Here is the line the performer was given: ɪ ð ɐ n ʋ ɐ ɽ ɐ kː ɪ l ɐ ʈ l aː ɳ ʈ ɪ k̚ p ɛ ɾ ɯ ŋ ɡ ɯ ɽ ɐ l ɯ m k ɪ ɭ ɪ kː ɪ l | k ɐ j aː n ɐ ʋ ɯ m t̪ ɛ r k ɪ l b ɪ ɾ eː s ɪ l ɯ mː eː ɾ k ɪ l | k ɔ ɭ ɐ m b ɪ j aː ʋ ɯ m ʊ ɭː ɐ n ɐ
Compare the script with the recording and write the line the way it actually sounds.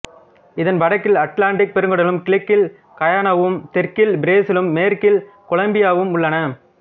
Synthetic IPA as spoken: ɪ ð ɐ n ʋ ɐ ɽ ɐ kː ɪ l ɐ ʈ l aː ɳ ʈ ɪ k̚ p ɛ ɾ ɯ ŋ ɡ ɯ ɽ ɐ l ɯ m k ɪ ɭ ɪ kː ɪ l | k ɐ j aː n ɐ ʋ ɯ m t̪ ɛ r k ɪ l b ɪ ɾ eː s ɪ l ɯ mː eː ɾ k ɪ l | k ɔ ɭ ɐ m b ɪ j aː ʋ ɯ m ʊ ɭː ɐ n ɐ

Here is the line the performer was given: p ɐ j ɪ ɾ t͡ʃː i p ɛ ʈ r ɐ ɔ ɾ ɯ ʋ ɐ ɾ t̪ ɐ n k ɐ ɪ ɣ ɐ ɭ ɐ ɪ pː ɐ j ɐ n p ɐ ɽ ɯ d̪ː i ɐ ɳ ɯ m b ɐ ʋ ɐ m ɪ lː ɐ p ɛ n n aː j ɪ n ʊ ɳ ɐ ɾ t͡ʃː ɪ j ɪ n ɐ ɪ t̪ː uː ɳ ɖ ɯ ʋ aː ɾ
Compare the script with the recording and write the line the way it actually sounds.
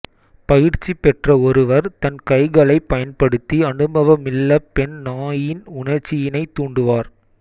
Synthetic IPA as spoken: p ɐ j ɪ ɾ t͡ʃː i p ɛ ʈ r ɐ ɔ ɾ ɯ ʋ ɐ ɾ t̪ ɐ n k ɐ ɪ ɣ ɐ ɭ ɐ ɪ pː ɐ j ɐ n p ɐ ɽ ɯ t̪ː i ɐ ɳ ɯ m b ɐ ʋ ɐ m ɪ lː ɐ p ɛ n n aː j ɪ n ʊ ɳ ɐ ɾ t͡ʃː ɪ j ɪ n ɐ ɪ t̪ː uː ɳ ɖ ɯ ʋ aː ɾ

